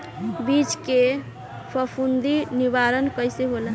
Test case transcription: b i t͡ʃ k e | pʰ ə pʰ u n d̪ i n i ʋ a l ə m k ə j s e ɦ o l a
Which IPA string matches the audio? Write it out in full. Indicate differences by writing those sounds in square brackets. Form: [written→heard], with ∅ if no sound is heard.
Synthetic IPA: b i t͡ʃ k e | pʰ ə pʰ u n d̪ i n i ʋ a [l→ɾ] ə [m→n] k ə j s e ɦ o l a